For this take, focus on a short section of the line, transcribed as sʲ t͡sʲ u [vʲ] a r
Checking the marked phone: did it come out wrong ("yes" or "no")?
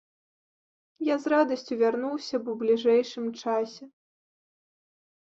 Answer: no